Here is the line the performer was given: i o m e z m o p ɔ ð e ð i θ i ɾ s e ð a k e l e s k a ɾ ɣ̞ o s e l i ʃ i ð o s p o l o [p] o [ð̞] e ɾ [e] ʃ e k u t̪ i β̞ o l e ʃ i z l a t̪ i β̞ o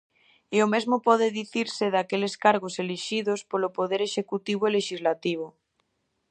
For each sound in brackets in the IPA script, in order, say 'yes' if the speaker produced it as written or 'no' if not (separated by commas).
yes, yes, yes